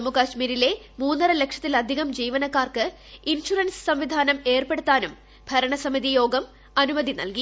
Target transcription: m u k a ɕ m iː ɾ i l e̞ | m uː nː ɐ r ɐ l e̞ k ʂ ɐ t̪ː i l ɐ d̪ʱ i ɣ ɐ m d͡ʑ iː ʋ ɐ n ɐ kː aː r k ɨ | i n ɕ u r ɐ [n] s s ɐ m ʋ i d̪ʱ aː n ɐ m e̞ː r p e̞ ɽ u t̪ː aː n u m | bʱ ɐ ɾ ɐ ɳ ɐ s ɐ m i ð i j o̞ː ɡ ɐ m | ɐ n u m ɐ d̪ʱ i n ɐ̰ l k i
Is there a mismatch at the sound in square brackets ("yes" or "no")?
no